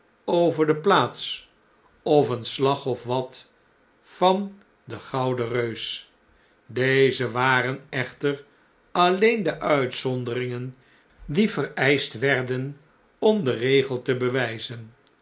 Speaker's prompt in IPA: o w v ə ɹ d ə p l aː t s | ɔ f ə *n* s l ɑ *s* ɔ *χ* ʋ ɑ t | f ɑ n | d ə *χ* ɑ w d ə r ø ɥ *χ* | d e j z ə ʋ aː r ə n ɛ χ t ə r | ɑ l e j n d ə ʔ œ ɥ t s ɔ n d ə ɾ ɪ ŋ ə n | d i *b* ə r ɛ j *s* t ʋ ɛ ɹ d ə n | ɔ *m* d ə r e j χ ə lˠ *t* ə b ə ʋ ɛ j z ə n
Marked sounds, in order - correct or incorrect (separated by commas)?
correct, incorrect, incorrect, correct, incorrect, incorrect, correct, correct, correct